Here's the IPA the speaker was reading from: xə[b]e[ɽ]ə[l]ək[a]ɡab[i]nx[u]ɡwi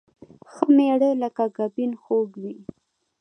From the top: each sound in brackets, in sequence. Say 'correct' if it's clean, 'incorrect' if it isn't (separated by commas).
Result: incorrect, correct, correct, correct, correct, incorrect